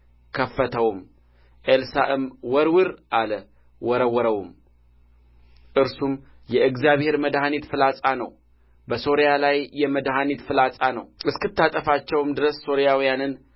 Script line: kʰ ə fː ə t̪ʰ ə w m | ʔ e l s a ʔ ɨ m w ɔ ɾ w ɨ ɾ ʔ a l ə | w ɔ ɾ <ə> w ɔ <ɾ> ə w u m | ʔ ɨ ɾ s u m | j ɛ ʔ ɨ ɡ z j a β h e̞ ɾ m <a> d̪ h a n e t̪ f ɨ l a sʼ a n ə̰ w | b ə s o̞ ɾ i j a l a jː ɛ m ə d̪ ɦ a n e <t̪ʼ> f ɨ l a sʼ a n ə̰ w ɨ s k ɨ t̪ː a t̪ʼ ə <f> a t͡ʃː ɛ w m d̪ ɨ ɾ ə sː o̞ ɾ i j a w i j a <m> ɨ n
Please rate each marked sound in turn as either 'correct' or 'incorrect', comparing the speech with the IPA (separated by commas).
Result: correct, correct, incorrect, incorrect, correct, incorrect